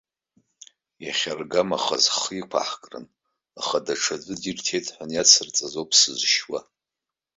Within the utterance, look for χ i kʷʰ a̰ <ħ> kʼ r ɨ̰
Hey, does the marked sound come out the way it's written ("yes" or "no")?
yes